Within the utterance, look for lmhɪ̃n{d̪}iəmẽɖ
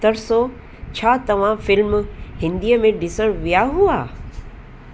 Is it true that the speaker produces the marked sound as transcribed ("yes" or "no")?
yes